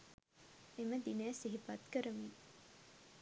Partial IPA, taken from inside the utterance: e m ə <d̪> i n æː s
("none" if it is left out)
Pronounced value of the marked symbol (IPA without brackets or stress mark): d̪